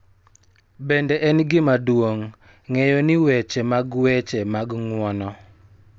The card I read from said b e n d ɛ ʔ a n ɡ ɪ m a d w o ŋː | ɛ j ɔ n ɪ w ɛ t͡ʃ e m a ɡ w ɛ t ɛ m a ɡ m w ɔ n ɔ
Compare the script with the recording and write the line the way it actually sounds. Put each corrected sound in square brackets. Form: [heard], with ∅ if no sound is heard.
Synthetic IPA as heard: b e n d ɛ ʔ [ɛ] n ɡ ɪ m a d w o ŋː | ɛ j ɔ n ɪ w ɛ t͡ʃ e m a ɡ w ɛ [t͡ʃ] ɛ m a ɡ [ŋ] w ɔ n ɔ